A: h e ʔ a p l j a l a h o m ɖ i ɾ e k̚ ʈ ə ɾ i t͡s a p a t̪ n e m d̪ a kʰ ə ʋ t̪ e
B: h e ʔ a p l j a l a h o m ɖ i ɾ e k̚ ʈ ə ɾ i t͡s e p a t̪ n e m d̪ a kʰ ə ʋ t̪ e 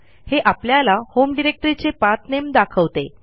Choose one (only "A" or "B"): B